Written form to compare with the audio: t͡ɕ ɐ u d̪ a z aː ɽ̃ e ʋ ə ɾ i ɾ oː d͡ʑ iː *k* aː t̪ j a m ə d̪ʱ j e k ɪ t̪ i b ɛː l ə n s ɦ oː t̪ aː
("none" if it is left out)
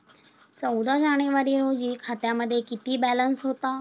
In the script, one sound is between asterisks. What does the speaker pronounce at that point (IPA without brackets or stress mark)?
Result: kʰ